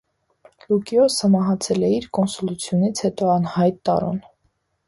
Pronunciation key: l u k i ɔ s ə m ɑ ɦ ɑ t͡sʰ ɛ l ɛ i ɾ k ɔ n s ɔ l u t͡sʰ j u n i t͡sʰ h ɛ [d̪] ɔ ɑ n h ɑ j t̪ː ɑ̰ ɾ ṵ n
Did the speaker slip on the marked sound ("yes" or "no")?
yes